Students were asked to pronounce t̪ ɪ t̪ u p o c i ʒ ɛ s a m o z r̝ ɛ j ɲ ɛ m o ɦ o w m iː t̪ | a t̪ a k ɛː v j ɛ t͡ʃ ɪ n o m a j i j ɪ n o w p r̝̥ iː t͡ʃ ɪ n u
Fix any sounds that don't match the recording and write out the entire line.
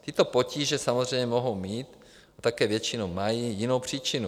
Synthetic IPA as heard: t̪ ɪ t̪ o p o c iː ʒ ɛ s a m o z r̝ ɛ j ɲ ɛ m o ɦ o w m iː t̪ | a t̪ a k ɛː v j ɛ t͡ʃ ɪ n o m a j i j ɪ n o w p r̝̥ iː t͡ʃ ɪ n u